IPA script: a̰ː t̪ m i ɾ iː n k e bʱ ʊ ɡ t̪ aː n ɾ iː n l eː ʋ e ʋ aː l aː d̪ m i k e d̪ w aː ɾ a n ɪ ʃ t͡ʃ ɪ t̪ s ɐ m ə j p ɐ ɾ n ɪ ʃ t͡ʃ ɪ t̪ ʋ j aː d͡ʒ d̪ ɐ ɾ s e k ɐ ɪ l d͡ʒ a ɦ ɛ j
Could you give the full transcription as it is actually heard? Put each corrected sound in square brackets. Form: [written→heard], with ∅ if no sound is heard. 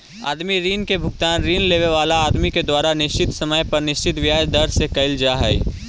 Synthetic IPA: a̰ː [t̪→d̪] m i ɾ iː n k e bʱ ʊ ɡ t̪ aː n ɾ iː n l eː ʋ e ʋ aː l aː d̪ m i k e d̪ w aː ɾ a n ɪ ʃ t͡ʃ ɪ t̪ s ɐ m ə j p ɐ ɾ n ɪ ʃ t͡ʃ ɪ t̪ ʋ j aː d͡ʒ d̪ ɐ ɾ s e k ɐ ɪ l d͡ʒ a ɦ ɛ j